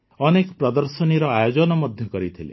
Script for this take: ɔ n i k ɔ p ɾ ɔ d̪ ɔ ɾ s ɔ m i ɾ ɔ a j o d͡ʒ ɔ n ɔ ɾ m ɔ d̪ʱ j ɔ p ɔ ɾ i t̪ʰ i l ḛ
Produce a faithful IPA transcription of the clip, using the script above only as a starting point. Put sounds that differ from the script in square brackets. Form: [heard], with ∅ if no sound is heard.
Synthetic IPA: ɔ n [e] k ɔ p ɾ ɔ d̪ ɔ ɾ s ɔ [n] i ɾ ɔ a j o d͡ʒ ɔ n ɔ [∅] m ɔ d̪ʱ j ɔ [k] ɔ ɾ i t̪ʰ i l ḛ